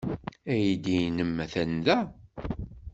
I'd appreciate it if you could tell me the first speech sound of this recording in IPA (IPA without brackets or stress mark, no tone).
æ